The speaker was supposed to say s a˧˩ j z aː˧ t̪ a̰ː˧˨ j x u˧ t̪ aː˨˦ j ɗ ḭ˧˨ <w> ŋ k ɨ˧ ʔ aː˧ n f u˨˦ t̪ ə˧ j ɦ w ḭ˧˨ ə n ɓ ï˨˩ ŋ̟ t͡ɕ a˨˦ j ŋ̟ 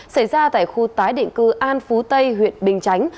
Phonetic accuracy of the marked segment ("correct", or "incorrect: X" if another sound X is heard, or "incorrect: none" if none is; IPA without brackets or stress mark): incorrect: none